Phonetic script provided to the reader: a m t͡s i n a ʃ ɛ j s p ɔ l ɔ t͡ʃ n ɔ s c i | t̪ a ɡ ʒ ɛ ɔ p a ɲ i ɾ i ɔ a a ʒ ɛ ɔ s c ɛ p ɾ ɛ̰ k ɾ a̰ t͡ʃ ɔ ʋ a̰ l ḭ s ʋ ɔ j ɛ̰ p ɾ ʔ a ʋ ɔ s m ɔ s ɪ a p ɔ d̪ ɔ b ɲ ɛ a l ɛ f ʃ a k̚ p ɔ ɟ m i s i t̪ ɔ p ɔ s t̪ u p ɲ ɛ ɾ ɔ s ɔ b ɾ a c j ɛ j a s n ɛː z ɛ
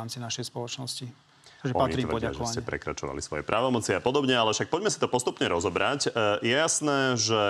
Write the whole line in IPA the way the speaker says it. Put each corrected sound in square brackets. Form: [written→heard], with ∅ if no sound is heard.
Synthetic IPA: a m t͡s i n a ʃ ɛ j s p ɔ l ɔ t͡ʃ n ɔ s c i | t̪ a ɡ ʒ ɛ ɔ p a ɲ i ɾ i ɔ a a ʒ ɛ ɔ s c ɛ p ɾ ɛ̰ k ɾ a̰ t͡ʃ ɔ ʋ a̰ l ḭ s ʋ ɔ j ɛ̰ p ɾ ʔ a ʋ ɔ [s→∅] m ɔ [s→t͡s] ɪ a p ɔ d̪ ɔ b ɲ ɛ a l ɛ f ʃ a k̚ p ɔ ɟ m [i→ɛ] s i t̪ ɔ p ɔ s t̪ u p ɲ ɛ ɾ ɔ [s→z] ɔ b ɾ a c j ɛ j a s n ɛː [z→ʒ] ɛ